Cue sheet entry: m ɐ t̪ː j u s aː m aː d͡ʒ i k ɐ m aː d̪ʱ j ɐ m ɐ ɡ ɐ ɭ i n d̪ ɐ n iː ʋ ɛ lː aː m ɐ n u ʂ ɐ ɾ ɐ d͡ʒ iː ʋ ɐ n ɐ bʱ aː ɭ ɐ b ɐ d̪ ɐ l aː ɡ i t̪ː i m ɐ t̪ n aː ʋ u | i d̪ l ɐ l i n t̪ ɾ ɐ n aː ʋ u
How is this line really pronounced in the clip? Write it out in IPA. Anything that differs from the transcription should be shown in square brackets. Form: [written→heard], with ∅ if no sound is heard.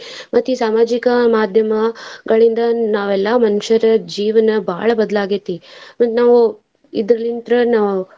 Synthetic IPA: m ɐ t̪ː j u s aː m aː d͡ʒ i k ɐ m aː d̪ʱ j ɐ m ɐ ɡ ɐ ɭ i n d̪ ɐ n [iː→aː] ʋ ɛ lː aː m ɐ n u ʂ ɐ ɾ ɐ d͡ʒ iː ʋ ɐ n ɐ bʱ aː ɭ ɐ b ɐ d̪ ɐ l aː ɡ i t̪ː i m ɐ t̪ n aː ʋ u | i d̪ [l→ɾ] ɐ l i n t̪ ɾ ɐ n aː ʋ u